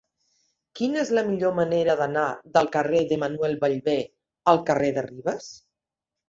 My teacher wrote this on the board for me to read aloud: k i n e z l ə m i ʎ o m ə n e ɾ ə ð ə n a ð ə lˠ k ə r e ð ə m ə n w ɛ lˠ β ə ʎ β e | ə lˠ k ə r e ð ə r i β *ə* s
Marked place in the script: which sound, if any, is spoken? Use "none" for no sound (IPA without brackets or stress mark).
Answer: ə